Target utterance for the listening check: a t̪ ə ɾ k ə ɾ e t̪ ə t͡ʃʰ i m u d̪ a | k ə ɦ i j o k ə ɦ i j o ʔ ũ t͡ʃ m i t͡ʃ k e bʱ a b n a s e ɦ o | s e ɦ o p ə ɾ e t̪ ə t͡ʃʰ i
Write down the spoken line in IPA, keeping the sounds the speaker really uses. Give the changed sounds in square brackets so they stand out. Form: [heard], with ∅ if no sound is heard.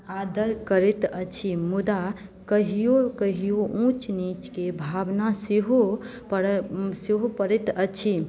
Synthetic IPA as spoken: a [d̪] ə ɾ k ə ɾ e t̪ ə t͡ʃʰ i m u d̪ a | k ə ɦ i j o k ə ɦ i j o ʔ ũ t͡ʃ [n] i t͡ʃ k e bʱ a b n a s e ɦ o | s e ɦ o p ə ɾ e t̪ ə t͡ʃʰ i